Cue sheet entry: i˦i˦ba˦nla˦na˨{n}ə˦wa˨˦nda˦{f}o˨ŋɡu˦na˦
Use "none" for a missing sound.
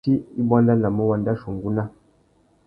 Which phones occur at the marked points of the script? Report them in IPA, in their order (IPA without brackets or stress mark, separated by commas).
m, ʃ